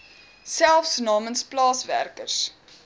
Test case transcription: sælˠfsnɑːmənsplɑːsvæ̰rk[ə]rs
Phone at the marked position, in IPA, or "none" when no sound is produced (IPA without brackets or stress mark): ə